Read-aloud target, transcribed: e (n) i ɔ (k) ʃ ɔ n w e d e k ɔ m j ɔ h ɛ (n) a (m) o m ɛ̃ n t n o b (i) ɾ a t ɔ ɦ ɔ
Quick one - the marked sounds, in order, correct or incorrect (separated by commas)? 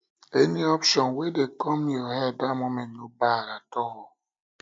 correct, incorrect, incorrect, correct, incorrect